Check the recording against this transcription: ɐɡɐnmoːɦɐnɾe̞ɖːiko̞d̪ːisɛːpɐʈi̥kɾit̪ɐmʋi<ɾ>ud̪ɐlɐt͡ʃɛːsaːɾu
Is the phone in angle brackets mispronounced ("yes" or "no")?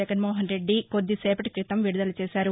yes